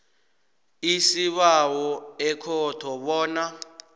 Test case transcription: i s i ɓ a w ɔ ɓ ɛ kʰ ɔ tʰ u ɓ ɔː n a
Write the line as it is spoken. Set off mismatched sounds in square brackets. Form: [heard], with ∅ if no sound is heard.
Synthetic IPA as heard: i s i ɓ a w ɔ [∅] ɛ kʰ ɔ tʰ [ɔ] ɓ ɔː n a